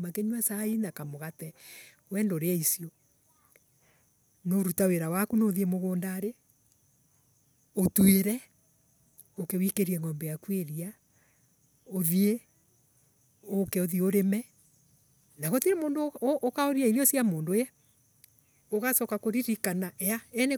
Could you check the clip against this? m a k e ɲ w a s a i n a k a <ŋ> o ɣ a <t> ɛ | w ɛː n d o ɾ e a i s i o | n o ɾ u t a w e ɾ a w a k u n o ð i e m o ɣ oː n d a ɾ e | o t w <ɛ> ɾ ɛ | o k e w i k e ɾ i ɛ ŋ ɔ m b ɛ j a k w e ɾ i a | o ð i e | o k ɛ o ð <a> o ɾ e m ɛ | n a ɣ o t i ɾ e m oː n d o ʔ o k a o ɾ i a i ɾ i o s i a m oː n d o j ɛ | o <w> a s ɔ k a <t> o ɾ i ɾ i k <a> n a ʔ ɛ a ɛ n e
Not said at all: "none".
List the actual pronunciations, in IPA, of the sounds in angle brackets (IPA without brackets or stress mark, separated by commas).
m, t, e, i, ɣ, k, a